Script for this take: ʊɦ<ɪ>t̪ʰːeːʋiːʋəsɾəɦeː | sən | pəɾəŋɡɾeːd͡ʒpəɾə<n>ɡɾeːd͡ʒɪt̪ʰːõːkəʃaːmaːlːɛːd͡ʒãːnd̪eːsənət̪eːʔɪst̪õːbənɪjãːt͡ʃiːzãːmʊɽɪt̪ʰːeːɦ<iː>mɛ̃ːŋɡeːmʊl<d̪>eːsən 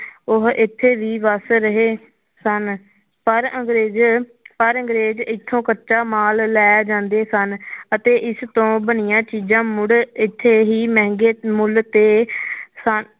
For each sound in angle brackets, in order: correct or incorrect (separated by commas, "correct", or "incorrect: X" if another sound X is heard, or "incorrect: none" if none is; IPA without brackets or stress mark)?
correct, incorrect: ŋ, correct, incorrect: t̪